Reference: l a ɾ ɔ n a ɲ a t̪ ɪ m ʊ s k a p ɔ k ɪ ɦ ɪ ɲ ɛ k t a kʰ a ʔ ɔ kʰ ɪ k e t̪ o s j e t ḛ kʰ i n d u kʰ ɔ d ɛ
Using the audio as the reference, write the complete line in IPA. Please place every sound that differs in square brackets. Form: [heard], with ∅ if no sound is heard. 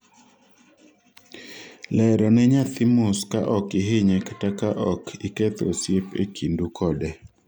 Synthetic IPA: l [ɛ] ɾ ɔ n [ɛ] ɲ a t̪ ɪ m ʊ s k a [ʔ] ɔ k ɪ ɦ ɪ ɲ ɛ k t a [k] a ʔ ɔ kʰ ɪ k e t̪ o s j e [p] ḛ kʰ i n d u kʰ ɔ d ɛ